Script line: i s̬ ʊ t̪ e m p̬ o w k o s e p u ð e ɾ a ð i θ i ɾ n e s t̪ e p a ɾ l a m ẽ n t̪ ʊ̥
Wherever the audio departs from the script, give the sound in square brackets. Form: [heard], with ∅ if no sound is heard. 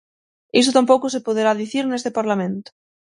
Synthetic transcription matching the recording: i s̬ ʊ t̪ [a] m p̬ o w k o s e p [o] ð e ɾ a ð i θ i ɾ n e s t̪ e p a ɾ l a m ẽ n t̪ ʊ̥